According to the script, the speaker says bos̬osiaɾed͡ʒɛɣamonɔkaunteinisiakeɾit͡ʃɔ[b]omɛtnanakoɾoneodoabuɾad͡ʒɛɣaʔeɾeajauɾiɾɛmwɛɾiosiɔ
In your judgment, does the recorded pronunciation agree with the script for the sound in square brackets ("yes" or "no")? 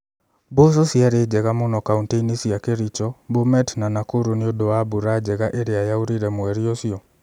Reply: yes